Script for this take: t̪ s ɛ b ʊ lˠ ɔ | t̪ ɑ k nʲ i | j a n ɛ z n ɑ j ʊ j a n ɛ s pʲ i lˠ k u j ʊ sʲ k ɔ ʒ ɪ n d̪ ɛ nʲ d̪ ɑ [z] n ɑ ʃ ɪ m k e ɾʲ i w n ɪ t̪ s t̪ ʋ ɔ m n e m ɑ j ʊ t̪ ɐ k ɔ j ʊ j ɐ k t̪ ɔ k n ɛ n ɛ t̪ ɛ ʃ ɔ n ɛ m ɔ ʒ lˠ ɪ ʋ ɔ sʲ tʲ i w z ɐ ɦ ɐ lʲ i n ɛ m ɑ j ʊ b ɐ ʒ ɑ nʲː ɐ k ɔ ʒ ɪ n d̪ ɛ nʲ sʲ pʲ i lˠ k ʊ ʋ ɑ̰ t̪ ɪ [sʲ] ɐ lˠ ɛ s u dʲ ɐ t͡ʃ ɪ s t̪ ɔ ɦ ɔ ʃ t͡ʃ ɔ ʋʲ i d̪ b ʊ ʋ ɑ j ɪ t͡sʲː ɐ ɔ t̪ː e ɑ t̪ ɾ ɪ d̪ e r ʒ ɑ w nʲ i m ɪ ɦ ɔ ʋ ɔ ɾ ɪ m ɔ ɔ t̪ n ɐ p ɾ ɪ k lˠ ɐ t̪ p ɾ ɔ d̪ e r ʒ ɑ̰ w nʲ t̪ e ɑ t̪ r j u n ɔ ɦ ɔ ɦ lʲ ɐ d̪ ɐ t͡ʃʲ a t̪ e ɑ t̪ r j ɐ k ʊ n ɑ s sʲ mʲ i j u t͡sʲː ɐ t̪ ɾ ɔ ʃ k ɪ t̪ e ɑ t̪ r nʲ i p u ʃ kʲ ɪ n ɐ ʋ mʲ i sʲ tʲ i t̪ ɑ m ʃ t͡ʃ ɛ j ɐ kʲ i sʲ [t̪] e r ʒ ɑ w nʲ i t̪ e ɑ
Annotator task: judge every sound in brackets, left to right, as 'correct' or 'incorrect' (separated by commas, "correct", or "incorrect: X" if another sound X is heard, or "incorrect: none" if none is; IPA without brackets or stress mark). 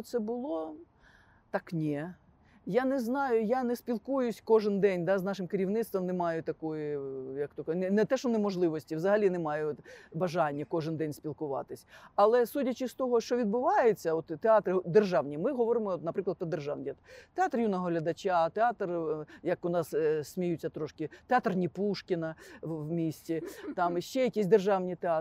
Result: correct, correct, incorrect: d̪